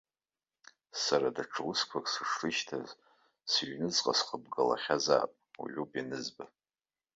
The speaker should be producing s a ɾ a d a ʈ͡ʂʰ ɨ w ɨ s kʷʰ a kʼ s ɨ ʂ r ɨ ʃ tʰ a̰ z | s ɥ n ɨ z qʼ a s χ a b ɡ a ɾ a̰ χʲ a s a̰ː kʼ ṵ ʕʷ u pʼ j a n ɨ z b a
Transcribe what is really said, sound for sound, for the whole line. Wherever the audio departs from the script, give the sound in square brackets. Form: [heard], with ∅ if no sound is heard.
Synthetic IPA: s a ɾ a d a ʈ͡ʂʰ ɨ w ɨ s kʷʰ a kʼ s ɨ ʂ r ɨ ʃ tʰ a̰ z | s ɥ n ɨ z qʼ a s χ [ə] b ɡ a [l] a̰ χʲ a [z] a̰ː [pʼ] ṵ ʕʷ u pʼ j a n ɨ z b a